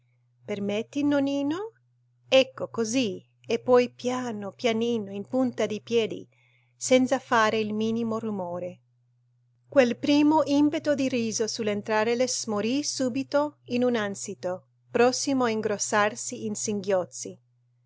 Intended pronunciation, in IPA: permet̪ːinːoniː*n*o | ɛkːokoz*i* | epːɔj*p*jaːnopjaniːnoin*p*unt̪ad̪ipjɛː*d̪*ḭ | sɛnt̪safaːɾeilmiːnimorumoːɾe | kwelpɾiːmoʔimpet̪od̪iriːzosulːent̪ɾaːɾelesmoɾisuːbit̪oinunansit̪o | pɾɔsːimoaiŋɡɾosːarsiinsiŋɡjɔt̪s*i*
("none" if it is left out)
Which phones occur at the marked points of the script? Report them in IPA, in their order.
n, i, p, p, d̪, i

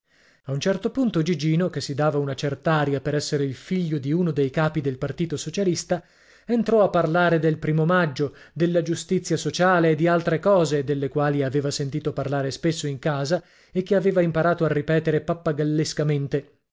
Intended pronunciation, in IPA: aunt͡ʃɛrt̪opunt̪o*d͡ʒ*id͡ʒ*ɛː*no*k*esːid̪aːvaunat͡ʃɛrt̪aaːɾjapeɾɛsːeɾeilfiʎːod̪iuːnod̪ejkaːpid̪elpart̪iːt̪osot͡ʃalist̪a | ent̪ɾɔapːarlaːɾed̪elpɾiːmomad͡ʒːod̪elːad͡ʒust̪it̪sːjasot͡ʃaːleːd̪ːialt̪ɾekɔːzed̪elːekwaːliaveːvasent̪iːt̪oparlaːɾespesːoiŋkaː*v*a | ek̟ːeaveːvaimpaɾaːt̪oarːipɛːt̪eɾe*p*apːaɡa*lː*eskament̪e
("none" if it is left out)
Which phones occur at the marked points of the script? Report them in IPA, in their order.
d͡ʒ, iː, k, z, p, lː

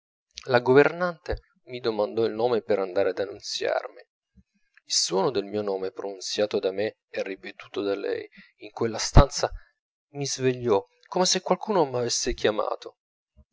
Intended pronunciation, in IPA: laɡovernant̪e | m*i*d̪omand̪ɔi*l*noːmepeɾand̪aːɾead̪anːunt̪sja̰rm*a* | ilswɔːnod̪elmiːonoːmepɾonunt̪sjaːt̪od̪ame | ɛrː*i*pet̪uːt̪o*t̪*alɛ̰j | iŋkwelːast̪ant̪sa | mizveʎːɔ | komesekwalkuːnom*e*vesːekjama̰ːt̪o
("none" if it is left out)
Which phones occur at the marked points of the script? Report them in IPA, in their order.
i, l, i, i, d̪, a

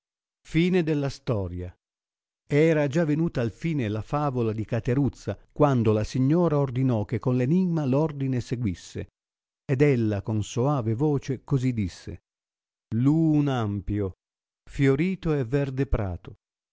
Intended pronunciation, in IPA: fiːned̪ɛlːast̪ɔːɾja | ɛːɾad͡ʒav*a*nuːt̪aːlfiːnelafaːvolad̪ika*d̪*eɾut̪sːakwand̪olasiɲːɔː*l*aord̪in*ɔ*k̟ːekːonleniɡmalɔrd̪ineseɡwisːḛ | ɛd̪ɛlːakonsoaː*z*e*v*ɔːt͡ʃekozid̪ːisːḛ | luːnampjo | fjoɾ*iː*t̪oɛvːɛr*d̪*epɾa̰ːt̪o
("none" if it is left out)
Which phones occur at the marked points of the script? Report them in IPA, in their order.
e, t̪, ɾ, ɔ, v, v, iː, d̪

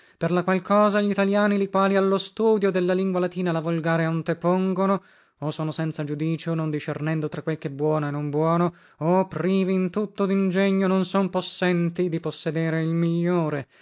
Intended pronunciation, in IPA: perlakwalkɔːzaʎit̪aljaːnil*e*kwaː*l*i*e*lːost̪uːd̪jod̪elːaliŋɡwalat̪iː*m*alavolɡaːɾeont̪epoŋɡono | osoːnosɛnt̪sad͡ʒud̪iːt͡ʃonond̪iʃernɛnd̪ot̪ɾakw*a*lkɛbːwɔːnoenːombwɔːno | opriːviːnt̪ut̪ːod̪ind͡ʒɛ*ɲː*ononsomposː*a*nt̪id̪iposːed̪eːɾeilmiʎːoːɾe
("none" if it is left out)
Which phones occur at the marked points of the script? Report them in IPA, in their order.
i, l, a, n, e, ɲː, ɛ

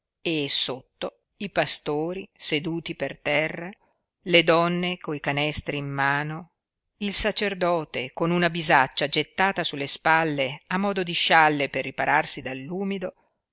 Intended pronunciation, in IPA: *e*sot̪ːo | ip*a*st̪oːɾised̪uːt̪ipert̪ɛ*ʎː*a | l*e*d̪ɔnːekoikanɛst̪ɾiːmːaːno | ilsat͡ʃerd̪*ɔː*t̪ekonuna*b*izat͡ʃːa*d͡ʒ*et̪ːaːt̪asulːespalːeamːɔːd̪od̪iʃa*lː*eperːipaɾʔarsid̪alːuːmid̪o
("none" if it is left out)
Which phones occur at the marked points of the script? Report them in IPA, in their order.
e, a, rː, e, ɔː, b, d͡ʒ, lː

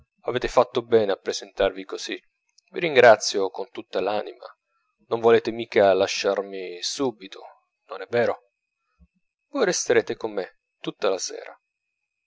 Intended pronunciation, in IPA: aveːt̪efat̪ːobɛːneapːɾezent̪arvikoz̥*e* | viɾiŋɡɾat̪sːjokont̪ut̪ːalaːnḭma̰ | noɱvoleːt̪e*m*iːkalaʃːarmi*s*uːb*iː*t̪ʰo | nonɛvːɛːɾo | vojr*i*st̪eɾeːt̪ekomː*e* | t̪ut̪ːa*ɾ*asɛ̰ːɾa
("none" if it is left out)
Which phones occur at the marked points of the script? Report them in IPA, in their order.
i, m, s, i, e, e, l

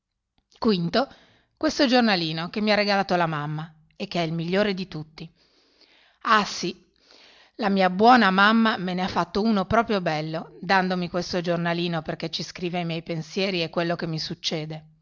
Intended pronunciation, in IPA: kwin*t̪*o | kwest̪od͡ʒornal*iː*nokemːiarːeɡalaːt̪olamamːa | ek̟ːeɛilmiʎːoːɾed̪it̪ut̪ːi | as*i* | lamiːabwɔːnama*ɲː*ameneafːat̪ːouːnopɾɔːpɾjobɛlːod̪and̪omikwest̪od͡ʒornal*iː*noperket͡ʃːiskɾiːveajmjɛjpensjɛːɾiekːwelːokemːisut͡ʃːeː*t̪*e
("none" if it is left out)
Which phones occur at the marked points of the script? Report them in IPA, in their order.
t̪, iː, i, mː, iː, d̪

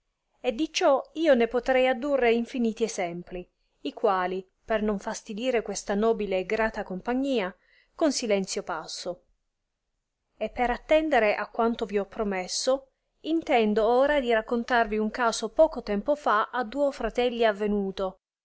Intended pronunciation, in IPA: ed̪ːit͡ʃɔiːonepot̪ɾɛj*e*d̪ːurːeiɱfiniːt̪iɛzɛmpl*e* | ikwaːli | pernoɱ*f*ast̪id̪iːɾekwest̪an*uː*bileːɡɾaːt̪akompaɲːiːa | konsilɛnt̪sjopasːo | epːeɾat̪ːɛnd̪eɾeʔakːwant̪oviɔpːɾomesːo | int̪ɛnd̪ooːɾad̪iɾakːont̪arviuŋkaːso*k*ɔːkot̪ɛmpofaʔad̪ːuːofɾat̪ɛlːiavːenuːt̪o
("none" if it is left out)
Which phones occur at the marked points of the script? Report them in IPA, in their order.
a, i, f, ɔː, p

